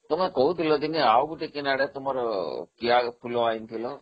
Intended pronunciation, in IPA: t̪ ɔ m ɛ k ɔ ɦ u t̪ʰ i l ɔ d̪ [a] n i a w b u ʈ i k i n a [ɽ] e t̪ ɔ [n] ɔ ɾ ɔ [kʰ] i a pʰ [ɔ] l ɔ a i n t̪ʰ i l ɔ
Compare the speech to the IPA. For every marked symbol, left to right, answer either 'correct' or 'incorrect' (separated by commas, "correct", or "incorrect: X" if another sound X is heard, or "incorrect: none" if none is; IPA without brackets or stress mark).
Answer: incorrect: i, correct, incorrect: m, incorrect: k, incorrect: u